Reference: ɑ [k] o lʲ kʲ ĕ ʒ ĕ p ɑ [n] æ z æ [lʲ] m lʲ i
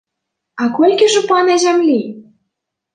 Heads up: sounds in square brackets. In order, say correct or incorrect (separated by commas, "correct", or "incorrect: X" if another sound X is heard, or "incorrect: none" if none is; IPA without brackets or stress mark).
correct, correct, incorrect: none